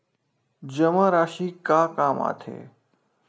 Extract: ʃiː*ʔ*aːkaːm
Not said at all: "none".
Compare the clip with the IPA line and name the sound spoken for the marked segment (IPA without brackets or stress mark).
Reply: k